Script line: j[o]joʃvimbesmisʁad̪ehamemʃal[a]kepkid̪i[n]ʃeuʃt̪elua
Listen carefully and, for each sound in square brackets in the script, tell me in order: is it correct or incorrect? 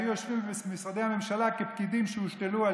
incorrect: u, correct, incorrect: m

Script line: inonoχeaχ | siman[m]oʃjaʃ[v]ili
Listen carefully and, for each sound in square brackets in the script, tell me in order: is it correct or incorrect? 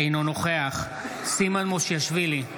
correct, correct

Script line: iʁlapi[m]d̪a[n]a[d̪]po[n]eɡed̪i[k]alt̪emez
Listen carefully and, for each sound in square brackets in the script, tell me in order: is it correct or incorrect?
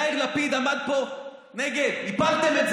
incorrect: none, incorrect: m, correct, correct, incorrect: p

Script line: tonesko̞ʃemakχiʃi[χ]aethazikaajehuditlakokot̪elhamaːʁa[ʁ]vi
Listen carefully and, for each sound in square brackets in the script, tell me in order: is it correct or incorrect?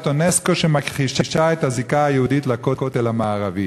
incorrect: ʃ, incorrect: none

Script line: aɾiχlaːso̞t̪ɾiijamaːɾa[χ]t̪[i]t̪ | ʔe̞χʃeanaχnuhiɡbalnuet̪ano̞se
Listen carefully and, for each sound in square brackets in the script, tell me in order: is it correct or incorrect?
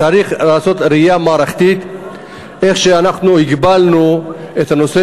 correct, correct

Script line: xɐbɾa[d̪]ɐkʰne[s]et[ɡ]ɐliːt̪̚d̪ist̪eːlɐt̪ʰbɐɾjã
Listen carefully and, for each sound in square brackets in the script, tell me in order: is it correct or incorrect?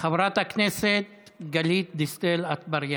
incorrect: t̪, correct, correct

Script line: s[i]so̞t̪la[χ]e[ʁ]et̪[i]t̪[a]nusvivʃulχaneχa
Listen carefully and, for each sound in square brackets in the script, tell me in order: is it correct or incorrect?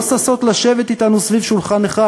incorrect: a, incorrect: ʃ, incorrect: v, correct, correct

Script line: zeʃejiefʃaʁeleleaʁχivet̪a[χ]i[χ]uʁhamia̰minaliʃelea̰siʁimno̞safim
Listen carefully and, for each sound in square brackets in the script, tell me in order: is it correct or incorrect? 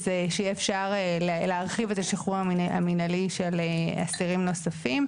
incorrect: ʃ, correct

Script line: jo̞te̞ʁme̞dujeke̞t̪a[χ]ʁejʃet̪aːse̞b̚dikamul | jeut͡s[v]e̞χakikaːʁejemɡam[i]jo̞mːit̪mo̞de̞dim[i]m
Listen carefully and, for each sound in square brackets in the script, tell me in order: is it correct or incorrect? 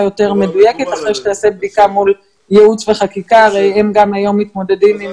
correct, correct, incorrect: a, correct

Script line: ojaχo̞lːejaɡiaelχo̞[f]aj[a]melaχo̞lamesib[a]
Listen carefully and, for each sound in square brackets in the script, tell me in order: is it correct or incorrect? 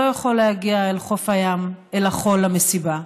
correct, correct, correct

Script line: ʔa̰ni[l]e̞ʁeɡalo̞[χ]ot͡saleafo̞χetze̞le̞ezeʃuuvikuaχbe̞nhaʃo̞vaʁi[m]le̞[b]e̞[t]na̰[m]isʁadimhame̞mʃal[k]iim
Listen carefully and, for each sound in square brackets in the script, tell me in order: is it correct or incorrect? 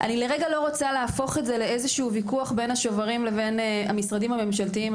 correct, incorrect: ʁ, correct, incorrect: v, incorrect: none, correct, incorrect: t

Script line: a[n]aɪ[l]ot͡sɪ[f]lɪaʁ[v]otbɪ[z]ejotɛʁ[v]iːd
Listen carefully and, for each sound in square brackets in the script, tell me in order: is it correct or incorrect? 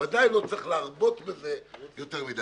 incorrect: d, correct, incorrect: χ, incorrect: b, correct, correct

